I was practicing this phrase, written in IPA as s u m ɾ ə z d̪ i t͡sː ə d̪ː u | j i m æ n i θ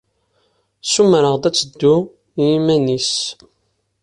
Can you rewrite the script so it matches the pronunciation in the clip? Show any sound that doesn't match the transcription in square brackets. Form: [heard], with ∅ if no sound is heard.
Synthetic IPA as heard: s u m ɾ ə [ʁ] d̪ [æ] t͡sː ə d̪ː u | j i m æ n i [s]